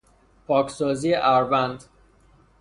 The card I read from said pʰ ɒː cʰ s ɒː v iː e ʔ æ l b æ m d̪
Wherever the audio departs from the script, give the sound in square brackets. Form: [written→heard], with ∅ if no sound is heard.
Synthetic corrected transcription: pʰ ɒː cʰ s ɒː [v→z] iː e ʔ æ [l→ɾ] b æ [m→n] d̪